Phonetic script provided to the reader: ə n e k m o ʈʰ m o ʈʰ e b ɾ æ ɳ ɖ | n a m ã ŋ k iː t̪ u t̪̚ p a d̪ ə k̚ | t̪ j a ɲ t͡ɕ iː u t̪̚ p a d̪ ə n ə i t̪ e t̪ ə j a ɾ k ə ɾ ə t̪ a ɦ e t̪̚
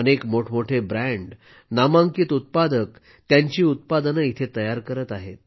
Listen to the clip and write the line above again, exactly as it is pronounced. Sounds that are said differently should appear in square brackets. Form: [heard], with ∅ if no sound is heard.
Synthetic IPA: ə n e k m o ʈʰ m o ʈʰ e b ɾ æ ɳ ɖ | n a m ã ŋ k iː t̪ u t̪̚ p a d̪ ə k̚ | t̪ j a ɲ t͡ɕ iː u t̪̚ p a d̪ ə n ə i [t̪ʰ] e t̪ ə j a ɾ k ə ɾ ə t̪ a ɦ e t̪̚